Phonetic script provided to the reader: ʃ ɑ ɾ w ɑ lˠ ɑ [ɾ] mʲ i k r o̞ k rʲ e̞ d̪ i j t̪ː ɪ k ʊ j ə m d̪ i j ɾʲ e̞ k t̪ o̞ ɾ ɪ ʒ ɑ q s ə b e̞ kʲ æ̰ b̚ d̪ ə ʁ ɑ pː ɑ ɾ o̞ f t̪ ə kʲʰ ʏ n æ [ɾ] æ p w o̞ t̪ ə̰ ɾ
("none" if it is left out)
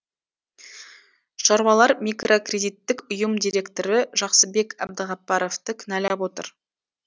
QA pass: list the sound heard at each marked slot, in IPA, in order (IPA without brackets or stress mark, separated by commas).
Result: ɾ, l